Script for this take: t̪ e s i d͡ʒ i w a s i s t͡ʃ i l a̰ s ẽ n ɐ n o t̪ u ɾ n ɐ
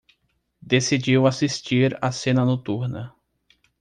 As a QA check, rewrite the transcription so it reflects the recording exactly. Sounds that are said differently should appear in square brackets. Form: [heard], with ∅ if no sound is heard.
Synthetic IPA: [d̪] e s i d͡ʒ i w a s i s t͡ʃ i [ɾ] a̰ s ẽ n ɐ n o t̪ u ɾ n ɐ